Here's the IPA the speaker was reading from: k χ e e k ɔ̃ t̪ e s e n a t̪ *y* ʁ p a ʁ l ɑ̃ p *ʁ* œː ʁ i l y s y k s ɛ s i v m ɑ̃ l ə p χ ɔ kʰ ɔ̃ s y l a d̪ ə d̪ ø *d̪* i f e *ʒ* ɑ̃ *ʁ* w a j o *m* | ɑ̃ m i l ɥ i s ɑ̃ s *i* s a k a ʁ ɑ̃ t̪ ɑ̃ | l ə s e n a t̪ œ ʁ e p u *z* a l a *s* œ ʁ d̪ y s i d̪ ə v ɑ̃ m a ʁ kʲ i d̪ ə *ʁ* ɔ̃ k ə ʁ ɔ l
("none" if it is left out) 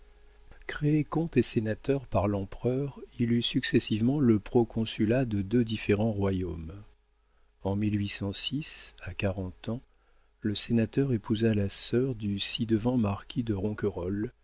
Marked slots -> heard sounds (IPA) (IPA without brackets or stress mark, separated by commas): œ, χ, d̪, ʁ, ʁ, m, i, z, s, ʁ